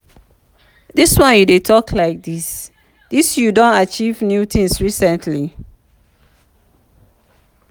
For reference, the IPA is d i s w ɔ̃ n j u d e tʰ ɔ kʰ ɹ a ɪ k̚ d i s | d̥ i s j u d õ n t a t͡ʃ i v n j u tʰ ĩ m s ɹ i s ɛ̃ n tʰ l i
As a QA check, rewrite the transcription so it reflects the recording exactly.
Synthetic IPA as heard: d i s w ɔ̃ n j u d e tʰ ɔ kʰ l a ɪ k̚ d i s | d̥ i s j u d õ n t a t͡ʃ i v n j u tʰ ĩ ŋ s ɹ i s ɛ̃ n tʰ l i